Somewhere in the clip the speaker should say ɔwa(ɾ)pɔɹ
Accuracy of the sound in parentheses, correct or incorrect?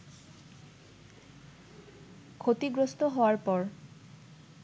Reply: incorrect